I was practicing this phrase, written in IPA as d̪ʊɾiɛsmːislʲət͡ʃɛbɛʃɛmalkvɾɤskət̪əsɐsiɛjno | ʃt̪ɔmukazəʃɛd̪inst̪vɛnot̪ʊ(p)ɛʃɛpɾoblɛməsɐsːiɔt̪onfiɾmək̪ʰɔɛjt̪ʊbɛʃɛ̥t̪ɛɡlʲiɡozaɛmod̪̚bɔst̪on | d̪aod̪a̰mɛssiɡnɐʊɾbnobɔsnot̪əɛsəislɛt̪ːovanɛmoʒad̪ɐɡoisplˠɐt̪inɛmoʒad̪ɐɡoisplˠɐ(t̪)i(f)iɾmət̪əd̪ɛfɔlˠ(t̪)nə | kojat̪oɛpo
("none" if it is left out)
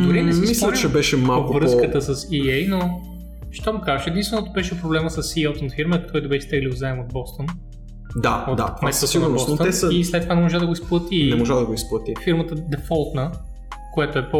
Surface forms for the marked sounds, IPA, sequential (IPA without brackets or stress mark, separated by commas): b, t̪, f, t̪